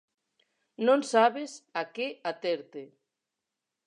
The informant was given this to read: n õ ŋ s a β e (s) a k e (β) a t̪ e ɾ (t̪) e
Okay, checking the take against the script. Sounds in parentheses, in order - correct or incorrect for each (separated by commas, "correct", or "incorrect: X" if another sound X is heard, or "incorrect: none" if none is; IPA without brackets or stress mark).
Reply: correct, incorrect: none, correct